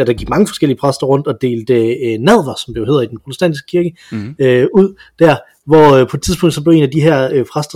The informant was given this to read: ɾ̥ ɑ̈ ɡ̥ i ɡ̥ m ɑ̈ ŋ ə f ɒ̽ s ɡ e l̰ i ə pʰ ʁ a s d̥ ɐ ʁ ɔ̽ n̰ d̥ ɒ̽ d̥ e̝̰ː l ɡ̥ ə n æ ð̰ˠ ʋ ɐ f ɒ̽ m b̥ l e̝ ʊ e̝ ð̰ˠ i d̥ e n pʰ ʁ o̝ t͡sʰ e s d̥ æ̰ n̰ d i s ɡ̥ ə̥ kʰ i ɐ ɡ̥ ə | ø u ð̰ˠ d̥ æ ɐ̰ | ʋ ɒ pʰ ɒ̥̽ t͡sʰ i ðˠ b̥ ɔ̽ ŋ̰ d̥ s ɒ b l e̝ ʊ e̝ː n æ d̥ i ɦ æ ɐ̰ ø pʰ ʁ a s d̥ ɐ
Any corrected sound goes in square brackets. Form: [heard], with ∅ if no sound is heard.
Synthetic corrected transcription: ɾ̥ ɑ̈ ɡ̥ i ɡ̥ m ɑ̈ ŋ ə f ɒ̽ s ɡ e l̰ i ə pʰ ʁ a s d̥ ɐ ʁ ɔ̽ n̰ d̥ ɒ̽ d̥ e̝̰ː l [d̥] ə n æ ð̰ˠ ʋ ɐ [s] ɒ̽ m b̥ l e̝ ʊ e̝ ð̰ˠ i d̥ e n pʰ ʁ o̝ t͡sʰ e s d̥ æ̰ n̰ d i s ɡ̥ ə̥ kʰ i ɐ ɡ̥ ə | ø u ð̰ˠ d̥ æ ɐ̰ | ʋ ɒ pʰ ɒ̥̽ t͡sʰ i ðˠ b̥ ɔ̽ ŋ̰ d̥ s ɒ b l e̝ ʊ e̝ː n æ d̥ i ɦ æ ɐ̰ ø pʰ ʁ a s d̥ ɐ